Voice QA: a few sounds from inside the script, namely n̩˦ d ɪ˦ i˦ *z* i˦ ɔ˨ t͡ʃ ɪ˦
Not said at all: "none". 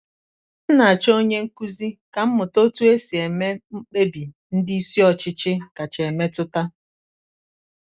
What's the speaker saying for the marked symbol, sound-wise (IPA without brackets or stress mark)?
s